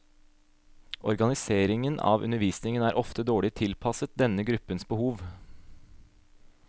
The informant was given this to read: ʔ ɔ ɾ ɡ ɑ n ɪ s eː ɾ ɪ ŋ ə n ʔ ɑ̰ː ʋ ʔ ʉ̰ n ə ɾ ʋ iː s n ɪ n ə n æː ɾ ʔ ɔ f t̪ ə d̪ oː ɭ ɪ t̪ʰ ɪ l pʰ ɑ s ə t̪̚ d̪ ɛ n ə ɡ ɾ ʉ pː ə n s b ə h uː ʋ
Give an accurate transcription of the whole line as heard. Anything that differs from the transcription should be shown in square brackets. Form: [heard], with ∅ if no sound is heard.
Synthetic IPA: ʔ ɔ ɾ ɡ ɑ n ɪ s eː ɾ ɪ ŋ ə n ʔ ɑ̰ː ʋ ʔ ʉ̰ n ə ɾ ʋ iː s n ɪ [ŋ] ə n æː ɾ ʔ ɔ f t̪ ə d̪ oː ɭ ɪ t̪ʰ ɪ l pʰ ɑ s ə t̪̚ d̪ ɛ n ə ɡ ɾ ʉ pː ə n s b ə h uː ʋ